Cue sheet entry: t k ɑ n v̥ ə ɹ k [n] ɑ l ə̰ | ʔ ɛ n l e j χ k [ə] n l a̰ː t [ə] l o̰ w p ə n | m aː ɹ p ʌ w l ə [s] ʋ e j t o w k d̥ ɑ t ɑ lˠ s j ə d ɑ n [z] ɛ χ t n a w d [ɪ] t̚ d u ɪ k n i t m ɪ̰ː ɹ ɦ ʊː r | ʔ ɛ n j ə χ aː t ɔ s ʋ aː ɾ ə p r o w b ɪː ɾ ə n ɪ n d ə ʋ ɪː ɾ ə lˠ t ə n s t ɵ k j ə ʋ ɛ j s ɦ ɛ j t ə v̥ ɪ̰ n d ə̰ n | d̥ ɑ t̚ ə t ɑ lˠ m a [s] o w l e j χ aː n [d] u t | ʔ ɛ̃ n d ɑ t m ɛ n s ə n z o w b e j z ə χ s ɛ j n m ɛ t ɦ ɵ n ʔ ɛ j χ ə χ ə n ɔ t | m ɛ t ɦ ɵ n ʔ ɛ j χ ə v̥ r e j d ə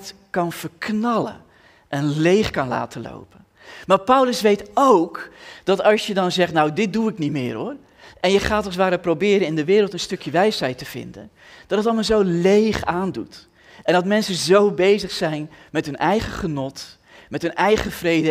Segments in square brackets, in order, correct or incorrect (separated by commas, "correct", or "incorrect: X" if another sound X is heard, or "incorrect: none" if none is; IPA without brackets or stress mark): correct, incorrect: ɑ, correct, correct, correct, correct, incorrect: z, correct